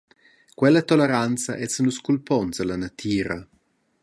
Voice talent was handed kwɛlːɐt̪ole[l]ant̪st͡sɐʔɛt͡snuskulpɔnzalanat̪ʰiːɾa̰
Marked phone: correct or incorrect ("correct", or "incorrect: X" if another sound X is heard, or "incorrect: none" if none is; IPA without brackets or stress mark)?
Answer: incorrect: ɾ